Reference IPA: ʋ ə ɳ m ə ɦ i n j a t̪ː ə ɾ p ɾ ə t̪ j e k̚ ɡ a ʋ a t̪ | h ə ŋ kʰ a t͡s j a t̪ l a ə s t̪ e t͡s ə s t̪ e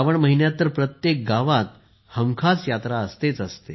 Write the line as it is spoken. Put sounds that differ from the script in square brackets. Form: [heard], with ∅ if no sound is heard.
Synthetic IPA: ʋ ə ɳ m ə ɦ i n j a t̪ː ə ɾ p ɾ ə t̪ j e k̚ ɡ a ʋ a t̪ | h ə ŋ kʰ a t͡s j a t̪ [ɾ] a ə s t̪ e t͡s ə s t̪ e